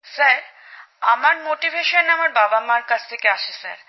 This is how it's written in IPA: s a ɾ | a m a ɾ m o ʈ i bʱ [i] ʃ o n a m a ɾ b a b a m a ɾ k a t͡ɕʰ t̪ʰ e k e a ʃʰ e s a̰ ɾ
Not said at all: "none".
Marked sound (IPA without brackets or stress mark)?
e